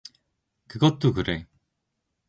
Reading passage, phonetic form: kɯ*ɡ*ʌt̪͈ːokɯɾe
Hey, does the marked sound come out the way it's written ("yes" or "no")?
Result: yes